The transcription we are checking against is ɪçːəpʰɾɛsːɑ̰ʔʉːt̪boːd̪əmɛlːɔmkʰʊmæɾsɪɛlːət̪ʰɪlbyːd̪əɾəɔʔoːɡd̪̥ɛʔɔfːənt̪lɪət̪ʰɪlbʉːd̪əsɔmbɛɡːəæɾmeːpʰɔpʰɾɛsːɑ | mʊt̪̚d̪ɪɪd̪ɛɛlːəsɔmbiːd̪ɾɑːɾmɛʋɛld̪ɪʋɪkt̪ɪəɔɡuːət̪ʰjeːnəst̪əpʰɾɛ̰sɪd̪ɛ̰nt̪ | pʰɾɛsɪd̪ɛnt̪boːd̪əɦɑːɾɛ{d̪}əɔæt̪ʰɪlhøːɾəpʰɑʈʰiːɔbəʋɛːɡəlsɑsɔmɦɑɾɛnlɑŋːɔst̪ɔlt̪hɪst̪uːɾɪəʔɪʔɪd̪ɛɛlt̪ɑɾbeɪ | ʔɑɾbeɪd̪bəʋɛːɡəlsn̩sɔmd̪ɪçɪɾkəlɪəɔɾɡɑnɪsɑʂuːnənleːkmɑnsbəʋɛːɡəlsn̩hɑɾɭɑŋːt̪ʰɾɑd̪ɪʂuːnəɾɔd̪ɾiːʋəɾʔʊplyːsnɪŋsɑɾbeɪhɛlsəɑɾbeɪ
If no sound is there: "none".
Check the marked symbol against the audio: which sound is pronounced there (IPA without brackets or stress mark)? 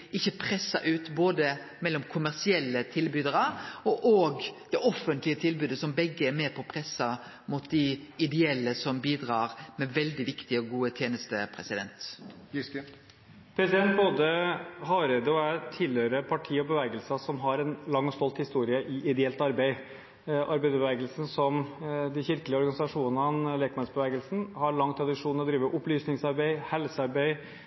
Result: d̪